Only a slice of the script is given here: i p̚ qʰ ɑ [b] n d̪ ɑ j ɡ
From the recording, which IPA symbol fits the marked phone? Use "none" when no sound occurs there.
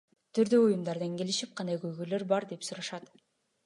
none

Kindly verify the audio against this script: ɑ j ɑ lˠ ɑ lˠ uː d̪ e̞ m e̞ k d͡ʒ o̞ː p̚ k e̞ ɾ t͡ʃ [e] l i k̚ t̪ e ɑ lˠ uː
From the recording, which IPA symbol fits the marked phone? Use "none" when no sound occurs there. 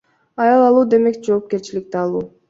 i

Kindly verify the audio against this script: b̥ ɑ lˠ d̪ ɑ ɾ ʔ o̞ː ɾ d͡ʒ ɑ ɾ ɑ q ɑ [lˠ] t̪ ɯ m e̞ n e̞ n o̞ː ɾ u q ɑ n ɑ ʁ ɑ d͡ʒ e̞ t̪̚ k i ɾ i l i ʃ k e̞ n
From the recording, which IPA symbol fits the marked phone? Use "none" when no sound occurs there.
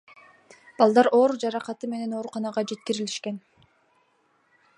none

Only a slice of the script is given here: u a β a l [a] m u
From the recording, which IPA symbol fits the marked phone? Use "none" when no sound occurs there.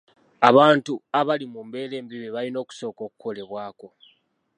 i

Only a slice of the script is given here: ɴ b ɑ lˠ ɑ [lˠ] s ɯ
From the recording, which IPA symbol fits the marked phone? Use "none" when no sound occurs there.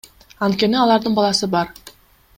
none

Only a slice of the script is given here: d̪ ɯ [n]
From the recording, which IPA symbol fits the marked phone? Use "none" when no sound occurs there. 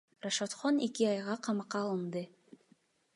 none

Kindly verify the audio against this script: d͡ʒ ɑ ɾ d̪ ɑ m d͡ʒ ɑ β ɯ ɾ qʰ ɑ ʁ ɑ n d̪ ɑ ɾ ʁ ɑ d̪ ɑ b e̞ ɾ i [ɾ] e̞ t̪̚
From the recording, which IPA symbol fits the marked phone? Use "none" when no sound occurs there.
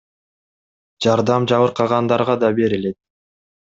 l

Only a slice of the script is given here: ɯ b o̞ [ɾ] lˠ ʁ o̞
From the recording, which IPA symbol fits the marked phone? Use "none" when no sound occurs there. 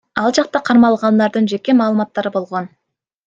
none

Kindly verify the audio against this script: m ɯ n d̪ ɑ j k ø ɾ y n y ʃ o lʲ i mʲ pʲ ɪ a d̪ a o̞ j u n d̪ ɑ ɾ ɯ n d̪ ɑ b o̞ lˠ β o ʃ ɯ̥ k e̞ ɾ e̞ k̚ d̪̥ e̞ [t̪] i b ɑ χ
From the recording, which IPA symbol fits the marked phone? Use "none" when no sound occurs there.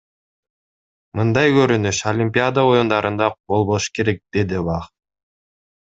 d̪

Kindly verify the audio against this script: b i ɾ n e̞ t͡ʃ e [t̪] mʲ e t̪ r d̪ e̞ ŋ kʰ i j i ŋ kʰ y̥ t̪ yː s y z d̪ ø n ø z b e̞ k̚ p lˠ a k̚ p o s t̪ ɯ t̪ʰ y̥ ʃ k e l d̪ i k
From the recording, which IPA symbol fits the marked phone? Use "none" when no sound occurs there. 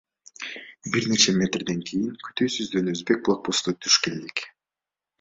none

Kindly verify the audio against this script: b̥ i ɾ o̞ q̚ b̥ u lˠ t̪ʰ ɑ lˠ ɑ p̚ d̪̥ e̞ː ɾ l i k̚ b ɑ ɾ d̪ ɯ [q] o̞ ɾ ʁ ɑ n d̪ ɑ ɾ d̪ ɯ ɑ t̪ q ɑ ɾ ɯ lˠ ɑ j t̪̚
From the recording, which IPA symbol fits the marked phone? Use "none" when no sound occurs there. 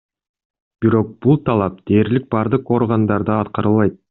q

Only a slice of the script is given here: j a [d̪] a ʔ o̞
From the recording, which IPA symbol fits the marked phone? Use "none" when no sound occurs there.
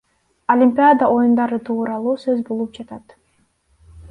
d̪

